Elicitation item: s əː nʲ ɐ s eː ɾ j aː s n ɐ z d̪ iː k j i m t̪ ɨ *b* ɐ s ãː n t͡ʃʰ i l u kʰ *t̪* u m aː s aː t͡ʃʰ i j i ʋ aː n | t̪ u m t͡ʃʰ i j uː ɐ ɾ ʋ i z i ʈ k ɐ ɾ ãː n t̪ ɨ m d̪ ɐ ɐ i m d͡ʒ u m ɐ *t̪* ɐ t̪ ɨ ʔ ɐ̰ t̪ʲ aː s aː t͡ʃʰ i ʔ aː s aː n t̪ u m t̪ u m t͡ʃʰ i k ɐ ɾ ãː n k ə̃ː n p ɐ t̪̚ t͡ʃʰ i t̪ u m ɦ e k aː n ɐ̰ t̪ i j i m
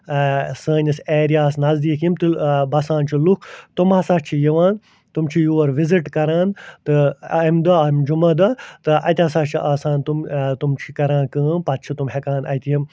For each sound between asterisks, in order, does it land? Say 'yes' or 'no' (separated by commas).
yes, yes, no